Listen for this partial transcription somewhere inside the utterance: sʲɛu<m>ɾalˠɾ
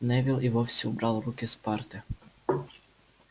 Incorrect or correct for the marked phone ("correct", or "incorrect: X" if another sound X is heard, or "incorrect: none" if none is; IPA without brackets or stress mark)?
incorrect: b